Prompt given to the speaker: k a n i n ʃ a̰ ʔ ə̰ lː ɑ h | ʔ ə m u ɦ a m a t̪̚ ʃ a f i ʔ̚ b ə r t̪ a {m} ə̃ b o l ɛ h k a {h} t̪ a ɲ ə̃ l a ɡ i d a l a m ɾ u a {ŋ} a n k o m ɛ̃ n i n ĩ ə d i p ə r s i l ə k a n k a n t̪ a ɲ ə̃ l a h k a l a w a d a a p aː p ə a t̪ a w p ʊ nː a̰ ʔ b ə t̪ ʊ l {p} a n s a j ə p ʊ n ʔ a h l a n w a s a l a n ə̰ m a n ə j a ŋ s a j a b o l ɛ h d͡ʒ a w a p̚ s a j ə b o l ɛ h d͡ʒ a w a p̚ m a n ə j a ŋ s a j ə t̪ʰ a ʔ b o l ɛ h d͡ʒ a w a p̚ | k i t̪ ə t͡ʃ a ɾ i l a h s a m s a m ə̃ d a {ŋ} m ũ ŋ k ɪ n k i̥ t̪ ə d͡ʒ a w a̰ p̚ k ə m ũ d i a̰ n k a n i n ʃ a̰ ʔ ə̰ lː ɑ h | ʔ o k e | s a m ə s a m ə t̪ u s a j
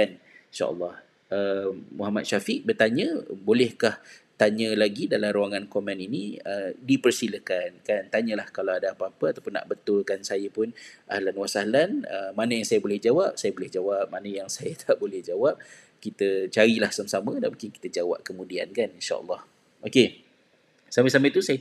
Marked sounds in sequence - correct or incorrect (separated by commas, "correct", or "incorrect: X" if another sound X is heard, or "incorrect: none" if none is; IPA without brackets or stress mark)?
incorrect: ɲ, correct, correct, incorrect: k, incorrect: n